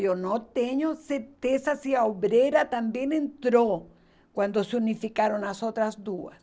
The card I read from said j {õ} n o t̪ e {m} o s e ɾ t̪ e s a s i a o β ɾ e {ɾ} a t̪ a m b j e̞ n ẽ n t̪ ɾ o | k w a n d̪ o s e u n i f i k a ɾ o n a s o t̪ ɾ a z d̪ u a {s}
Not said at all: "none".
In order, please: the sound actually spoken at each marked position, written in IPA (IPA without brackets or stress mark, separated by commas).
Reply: o, ɲ, ɾ, s